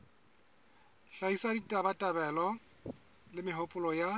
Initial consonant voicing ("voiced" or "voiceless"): voiceless